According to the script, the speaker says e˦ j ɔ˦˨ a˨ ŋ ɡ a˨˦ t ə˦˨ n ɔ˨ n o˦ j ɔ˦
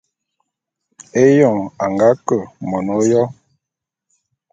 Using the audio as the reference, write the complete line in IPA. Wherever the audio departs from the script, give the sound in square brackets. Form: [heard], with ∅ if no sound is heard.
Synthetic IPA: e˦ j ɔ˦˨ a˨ ŋ ɡ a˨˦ [k] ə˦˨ [m] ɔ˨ n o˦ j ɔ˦